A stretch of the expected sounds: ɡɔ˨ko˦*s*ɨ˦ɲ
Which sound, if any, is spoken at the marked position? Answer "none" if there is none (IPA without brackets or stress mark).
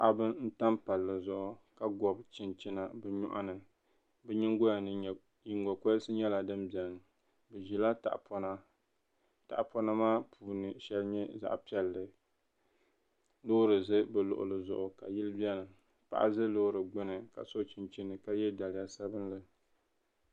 s